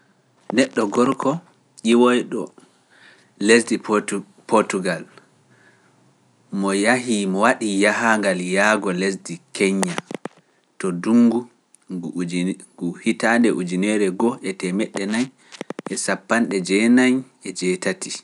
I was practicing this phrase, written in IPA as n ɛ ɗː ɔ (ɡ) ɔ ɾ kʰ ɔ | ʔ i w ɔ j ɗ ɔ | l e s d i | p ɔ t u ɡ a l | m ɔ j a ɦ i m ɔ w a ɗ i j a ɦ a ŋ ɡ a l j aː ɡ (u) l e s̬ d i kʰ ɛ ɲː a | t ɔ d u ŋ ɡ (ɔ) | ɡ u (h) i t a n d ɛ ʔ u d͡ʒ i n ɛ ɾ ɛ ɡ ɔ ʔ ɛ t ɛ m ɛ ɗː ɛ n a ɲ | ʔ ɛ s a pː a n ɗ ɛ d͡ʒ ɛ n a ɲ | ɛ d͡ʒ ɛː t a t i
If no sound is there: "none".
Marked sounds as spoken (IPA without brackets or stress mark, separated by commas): ɡ, ɔ, u, h